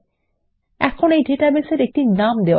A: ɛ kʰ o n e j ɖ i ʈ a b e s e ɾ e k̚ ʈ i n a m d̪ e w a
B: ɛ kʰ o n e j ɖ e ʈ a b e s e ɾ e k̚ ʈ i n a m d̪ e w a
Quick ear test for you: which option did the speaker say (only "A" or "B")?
B